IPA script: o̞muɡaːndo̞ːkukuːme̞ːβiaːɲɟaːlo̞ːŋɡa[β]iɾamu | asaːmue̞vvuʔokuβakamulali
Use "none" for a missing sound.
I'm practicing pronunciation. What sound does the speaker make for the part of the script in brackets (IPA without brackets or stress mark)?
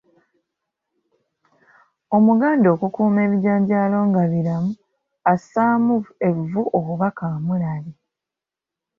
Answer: β